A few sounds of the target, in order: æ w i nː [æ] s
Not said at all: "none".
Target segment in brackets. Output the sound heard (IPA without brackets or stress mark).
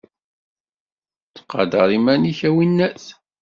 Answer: æ